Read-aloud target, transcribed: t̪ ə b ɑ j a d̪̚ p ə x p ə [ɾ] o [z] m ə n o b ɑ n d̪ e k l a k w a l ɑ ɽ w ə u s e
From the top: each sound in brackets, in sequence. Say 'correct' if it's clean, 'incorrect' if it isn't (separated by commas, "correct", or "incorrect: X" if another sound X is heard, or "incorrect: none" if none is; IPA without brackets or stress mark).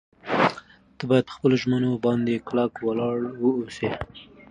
incorrect: l, incorrect: ʒ